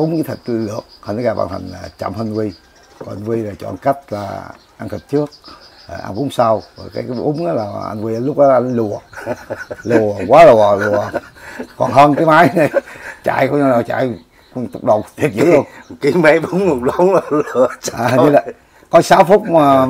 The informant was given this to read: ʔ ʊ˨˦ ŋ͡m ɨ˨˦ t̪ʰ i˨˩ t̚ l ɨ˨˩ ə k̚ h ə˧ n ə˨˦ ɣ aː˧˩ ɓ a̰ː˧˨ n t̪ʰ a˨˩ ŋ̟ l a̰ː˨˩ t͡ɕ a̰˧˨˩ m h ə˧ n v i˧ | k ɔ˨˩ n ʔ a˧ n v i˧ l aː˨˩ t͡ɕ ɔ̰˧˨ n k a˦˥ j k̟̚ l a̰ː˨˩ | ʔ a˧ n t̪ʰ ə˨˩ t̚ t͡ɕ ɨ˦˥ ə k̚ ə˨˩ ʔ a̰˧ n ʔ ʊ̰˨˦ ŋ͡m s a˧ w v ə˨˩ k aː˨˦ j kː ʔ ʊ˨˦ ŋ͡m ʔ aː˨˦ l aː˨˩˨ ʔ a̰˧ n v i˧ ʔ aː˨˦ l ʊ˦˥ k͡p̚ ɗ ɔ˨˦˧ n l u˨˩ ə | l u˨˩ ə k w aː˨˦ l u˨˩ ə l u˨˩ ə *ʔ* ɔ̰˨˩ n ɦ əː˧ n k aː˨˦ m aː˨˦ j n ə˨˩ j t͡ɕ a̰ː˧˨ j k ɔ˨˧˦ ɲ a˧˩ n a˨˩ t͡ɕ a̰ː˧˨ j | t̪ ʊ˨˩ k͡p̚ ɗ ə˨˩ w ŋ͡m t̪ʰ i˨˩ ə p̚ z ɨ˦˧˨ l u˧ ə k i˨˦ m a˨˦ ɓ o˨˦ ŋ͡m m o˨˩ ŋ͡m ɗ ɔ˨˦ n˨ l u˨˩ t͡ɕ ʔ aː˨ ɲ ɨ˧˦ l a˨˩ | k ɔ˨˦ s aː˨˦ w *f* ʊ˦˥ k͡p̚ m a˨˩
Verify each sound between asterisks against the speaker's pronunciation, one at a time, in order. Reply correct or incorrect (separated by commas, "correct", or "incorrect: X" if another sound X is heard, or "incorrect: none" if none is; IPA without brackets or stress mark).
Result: incorrect: k, correct